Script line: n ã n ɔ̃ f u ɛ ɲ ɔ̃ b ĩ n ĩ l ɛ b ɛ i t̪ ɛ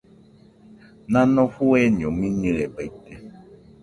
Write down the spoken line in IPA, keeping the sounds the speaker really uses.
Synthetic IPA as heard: n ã n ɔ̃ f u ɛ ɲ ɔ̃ m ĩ n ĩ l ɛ b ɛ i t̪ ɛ